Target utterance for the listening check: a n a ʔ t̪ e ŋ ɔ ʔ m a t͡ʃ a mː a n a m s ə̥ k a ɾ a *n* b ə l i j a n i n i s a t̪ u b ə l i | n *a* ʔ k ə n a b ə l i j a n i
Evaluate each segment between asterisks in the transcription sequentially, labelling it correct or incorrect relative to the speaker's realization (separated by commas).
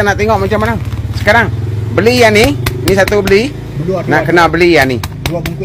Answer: incorrect, correct